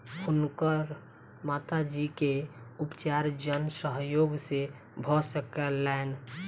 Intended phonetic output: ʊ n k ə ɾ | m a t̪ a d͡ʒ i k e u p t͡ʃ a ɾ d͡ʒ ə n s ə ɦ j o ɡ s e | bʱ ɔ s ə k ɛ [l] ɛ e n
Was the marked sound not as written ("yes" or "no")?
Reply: no